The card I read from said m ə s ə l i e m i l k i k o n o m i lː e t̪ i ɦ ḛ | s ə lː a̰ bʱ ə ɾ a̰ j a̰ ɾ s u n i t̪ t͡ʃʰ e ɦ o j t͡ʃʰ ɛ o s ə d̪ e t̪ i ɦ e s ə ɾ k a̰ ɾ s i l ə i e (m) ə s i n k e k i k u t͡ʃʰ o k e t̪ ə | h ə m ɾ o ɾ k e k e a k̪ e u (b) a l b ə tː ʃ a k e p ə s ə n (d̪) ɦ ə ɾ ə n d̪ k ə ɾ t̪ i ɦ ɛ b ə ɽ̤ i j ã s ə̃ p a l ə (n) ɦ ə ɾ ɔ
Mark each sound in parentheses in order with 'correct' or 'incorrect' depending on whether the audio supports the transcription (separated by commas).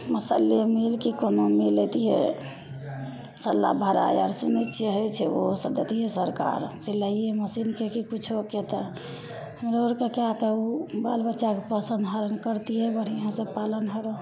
correct, correct, correct, correct